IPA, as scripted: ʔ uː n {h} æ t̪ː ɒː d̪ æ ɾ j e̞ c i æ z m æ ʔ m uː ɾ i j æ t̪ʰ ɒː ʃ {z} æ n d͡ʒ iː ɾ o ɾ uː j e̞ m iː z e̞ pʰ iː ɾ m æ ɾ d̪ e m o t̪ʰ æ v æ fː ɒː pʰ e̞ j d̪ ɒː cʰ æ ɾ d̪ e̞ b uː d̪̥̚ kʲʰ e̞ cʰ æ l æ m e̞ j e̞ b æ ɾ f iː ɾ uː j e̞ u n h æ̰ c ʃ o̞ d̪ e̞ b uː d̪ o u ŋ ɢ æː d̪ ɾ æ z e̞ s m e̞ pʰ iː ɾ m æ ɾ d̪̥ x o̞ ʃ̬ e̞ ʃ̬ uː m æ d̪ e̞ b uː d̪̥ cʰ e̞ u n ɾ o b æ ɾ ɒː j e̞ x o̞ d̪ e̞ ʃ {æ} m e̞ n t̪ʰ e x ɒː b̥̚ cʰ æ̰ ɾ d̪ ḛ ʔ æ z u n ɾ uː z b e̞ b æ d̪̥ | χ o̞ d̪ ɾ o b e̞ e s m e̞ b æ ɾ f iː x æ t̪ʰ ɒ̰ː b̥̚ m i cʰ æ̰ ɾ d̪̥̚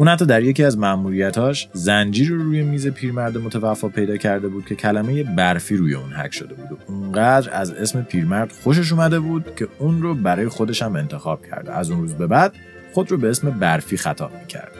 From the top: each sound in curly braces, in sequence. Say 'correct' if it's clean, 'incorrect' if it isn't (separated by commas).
correct, correct, correct